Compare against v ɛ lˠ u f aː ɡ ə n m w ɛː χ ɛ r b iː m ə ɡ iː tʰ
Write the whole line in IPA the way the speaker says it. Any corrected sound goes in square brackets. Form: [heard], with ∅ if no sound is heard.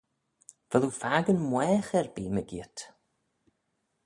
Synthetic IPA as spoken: v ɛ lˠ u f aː ɡ ə n m w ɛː χ ɛ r b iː m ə ɡ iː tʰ